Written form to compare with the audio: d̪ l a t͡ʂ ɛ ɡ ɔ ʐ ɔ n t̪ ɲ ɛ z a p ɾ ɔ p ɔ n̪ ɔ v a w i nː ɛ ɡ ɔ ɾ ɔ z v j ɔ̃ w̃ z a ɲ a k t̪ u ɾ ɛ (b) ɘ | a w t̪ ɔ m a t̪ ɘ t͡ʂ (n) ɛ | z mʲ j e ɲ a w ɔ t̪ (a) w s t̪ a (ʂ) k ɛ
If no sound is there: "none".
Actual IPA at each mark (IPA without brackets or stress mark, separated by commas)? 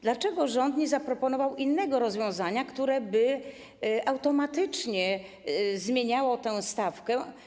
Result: b, ɲ, ɛ, f